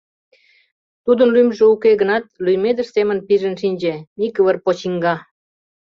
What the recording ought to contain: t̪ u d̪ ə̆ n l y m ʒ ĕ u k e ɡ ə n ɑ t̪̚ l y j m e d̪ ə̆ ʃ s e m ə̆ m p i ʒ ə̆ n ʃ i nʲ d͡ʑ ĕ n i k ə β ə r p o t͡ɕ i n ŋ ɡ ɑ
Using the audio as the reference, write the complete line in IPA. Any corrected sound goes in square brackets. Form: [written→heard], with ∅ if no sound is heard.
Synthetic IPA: t̪ u d̪ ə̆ n l y m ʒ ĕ u k e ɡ ə n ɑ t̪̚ l y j m e d̪ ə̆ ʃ s e m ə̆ [m→n] p i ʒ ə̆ n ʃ i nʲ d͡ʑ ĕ n i k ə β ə r p o t͡ɕ i [n→∅] ŋ ɡ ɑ